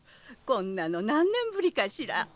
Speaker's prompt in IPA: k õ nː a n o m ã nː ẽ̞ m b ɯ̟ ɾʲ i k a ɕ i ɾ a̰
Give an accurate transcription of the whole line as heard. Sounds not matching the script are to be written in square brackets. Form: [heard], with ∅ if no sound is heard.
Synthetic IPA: k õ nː a n o [n] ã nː ẽ̞ m b ɯ̟ ɾʲ i k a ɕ i ɾ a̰